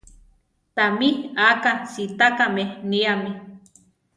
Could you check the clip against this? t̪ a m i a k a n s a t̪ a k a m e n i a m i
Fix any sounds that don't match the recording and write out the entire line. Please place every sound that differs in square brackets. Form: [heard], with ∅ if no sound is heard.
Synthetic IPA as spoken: t̪ a m i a k a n s [i] t̪ a k a m e n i a m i